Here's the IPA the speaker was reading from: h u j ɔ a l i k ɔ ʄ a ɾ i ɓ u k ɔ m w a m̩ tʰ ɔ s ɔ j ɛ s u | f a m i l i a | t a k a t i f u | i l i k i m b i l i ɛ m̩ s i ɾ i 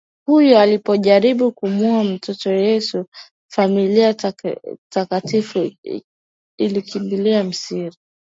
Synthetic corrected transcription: h u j ɔ a l i p ɔ ʄ a ɾ i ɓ u k u m u a m̩ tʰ ɔ t ɔ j ɛ s u | f a m i l i a | t a k a t i f u | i l i k i m b i l i a m̩ s i ɾ i